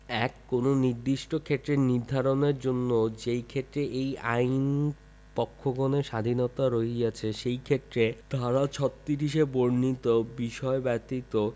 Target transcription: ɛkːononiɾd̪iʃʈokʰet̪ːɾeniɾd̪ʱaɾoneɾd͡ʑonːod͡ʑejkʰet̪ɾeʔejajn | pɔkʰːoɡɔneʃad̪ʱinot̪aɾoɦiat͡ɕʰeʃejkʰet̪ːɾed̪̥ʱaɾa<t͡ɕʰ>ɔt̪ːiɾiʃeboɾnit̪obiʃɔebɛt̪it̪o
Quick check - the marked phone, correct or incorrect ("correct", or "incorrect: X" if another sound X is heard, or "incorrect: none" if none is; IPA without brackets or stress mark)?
correct